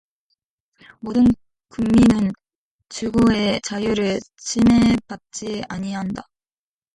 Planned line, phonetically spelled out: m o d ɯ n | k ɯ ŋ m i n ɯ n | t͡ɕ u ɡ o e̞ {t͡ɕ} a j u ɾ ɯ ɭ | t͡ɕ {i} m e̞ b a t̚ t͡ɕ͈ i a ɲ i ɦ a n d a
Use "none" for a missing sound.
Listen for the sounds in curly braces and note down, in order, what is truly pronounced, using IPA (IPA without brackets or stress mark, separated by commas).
t͡ɕ, i